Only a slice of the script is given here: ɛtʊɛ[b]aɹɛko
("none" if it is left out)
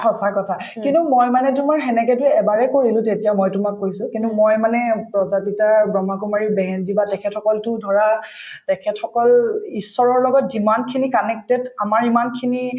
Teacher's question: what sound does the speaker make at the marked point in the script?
b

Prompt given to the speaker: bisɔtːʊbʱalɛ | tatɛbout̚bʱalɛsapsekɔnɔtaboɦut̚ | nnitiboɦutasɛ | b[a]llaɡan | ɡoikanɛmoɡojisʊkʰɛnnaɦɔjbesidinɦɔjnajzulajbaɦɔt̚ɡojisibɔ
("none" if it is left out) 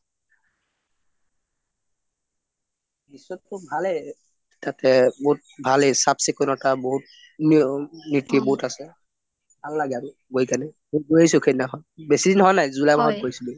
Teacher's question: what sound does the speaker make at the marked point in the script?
a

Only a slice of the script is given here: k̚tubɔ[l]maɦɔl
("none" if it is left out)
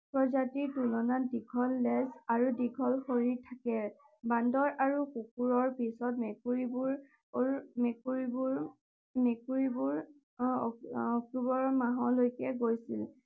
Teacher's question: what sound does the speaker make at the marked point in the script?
ɹ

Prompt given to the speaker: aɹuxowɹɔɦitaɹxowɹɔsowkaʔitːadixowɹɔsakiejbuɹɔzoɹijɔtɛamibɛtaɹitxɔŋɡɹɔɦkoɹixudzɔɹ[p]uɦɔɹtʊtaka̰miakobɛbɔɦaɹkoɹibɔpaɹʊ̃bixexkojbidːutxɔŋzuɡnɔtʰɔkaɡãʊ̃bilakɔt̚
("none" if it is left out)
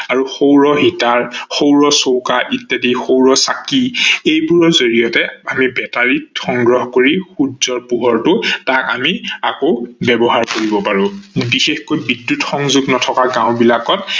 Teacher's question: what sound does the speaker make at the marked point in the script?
p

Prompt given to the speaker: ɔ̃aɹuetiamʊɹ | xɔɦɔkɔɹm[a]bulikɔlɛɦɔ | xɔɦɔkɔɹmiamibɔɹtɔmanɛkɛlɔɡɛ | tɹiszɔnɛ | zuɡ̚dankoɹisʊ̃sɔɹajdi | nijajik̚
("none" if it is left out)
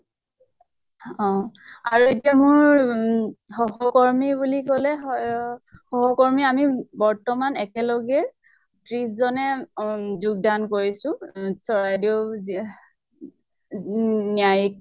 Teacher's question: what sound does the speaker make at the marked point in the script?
i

